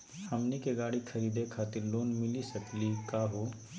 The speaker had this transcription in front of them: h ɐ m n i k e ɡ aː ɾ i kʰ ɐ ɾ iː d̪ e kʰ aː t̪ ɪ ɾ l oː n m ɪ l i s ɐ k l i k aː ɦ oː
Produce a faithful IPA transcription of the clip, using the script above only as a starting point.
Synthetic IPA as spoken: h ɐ m n i k e ɡ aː ɽ i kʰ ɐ ɾ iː d̪ e kʰ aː t̪ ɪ ɾ l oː n m ɪ l i s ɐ k l i k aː ɦ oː